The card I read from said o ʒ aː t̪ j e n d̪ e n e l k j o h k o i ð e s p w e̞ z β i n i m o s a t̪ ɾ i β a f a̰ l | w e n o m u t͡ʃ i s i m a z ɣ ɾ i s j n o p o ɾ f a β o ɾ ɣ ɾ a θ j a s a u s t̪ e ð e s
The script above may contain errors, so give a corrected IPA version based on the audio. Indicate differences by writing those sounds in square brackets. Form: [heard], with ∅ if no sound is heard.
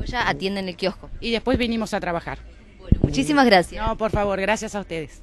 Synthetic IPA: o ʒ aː t̪ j e n d̪ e n e l k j o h k o i ð e s p w e̞ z β i n i m o s a t̪ ɾ [a] β a [x] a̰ [ɾ] | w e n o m u t͡ʃ i s i m a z ɣ ɾ [a] s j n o p o ɾ f a β o ɾ ɣ ɾ a [s] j a s a u s t̪ e ð e s